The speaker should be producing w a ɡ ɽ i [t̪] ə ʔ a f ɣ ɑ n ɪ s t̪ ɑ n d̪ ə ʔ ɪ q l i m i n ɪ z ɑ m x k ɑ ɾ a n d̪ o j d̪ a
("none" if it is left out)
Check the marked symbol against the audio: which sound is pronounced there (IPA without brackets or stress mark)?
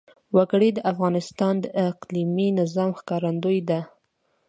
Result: d̪